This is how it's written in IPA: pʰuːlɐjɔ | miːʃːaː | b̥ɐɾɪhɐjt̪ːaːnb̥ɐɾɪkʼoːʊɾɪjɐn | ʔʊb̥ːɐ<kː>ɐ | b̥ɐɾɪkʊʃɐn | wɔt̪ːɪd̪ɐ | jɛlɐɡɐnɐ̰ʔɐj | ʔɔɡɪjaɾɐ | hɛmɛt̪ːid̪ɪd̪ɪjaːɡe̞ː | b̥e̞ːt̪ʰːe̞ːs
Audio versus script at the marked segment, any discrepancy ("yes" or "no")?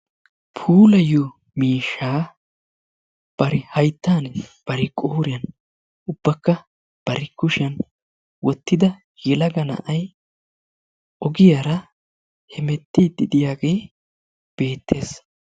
no